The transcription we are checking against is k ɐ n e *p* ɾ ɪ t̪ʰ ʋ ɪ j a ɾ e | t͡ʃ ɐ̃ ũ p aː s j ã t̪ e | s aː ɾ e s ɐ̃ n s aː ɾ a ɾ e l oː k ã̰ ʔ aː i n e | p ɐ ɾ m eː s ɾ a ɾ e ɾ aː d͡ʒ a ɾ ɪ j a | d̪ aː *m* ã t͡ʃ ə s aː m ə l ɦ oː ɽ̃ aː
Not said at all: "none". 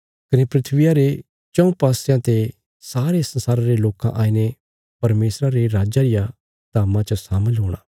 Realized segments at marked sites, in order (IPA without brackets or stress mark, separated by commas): p, m